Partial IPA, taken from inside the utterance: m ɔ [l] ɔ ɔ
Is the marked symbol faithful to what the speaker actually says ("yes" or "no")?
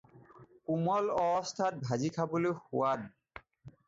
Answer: yes